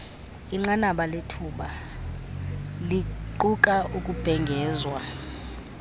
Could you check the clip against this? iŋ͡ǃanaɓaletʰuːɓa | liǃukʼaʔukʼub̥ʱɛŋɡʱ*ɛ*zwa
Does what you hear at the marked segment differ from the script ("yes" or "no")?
yes